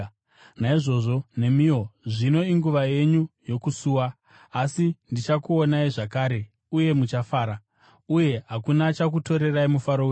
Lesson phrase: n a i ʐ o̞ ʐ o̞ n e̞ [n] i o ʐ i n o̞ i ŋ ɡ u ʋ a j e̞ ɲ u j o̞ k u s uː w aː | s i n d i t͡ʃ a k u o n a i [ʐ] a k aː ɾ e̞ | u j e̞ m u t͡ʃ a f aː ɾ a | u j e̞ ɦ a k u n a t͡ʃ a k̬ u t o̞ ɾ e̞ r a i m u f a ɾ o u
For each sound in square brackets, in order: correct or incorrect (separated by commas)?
incorrect, correct